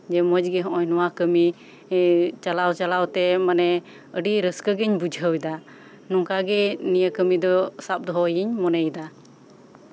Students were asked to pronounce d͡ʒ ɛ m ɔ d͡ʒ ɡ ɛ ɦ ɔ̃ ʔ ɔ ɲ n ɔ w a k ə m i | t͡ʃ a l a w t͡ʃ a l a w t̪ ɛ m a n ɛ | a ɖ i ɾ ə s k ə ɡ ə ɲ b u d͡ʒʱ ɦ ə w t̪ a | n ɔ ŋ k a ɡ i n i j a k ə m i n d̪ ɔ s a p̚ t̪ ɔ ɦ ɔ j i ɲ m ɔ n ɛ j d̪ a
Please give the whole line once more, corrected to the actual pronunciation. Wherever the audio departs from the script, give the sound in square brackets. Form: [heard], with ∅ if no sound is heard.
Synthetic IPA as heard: d͡ʒ ɛ m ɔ d͡ʒ ɡ ɛ ɦ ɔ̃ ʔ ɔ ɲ n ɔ w a k ə m i | t͡ʃ a l a w t͡ʃ a l a w t̪ ɛ m a n ɛ | [ə] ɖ i ɾ ə s k ə ɡ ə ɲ b u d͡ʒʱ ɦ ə w [d̪] a | n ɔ ŋ k a ɡ [ɛ] n i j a k ə m i [∅] d̪ ɔ s a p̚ [d̪] ɔ ɦ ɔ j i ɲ m ɔ n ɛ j d̪ a